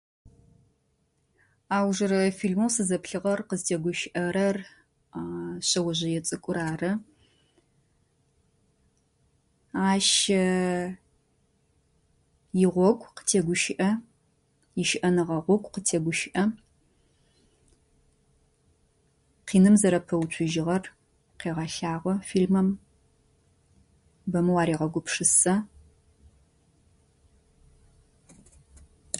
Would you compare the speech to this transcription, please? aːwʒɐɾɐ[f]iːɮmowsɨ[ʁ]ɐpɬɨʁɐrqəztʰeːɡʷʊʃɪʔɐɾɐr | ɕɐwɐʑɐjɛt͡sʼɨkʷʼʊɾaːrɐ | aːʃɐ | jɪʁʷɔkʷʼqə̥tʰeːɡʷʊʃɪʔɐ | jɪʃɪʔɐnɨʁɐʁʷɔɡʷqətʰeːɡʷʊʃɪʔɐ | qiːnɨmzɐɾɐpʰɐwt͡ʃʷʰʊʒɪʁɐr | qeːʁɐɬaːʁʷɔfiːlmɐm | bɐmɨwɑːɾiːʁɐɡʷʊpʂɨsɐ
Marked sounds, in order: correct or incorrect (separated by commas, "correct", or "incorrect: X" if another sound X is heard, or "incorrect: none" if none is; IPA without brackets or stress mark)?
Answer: correct, incorrect: z